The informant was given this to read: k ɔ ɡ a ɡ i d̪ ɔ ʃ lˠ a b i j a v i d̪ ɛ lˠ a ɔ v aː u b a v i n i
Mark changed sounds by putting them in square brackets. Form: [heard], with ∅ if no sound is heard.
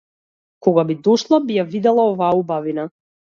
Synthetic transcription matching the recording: k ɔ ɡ a [b] i d̪ ɔ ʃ lˠ a b i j a v i d̪ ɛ lˠ a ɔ v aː u b a v i n [a]

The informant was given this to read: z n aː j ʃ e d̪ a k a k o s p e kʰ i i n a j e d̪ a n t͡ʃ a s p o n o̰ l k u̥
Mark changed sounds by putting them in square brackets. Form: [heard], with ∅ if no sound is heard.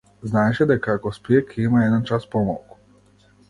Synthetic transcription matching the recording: z n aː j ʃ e d̪ a k a k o s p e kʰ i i [m] a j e d̪ a n t͡ʃ a s p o [m] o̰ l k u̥

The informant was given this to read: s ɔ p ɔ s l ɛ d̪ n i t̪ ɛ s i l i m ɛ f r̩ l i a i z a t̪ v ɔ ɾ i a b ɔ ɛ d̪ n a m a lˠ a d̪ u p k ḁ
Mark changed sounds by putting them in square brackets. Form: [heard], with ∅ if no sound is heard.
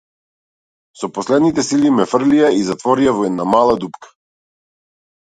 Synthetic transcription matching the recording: s ɔ p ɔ s l ɛ d̪ n i t̪ ɛ s i l i m ɛ f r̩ l i a i z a t̪ v ɔ ɾ i a [v] ɔ ɛ d̪ n a m a lˠ a d̪ u p k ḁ

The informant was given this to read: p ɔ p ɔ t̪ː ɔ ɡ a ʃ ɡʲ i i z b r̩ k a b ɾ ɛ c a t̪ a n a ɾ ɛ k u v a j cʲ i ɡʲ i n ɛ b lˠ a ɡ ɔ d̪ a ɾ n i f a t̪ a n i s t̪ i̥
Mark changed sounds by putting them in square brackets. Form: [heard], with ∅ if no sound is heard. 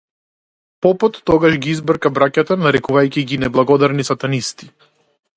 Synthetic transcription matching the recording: p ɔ p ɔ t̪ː ɔ ɡ a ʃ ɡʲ i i z b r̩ k a b ɾ [a] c a t̪ a n a ɾ ɛ k u v a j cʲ i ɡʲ i n ɛ b lˠ a ɡ ɔ d̪ a ɾ n i [s] a t̪ a n i s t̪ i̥

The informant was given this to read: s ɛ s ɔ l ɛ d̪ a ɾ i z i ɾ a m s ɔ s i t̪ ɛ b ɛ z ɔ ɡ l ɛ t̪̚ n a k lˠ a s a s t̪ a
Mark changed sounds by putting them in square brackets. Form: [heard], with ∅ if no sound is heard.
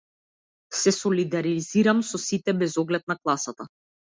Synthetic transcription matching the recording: s ɛ s ɔ l [i] d̪ a ɾ i z i ɾ a m s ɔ s i t̪ ɛ b ɛ z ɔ ɡ l ɛ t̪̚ n a k lˠ a s a [∅] t̪ a

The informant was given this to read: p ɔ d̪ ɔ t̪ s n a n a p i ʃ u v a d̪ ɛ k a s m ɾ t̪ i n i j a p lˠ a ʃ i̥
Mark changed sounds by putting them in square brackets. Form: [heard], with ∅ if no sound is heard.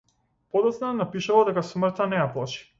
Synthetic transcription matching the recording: p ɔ d̪ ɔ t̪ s n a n a p i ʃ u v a d̪ ɛ k a s m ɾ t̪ [a] n [ɛ] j a p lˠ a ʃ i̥

